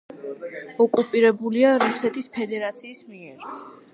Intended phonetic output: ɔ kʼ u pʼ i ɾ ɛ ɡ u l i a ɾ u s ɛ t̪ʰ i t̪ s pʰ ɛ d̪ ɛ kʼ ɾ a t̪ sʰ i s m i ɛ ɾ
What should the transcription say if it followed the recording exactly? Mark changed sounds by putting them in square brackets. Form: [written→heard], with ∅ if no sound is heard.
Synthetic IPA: ɔ kʼ u pʼ i ɾ ɛ [ɡ→b] u l i a ɾ u s ɛ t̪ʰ i [t̪→∅] s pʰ ɛ d̪ ɛ [kʼ→∅] ɾ a t̪ sʰ [i→iː] s m i ɛ ɾ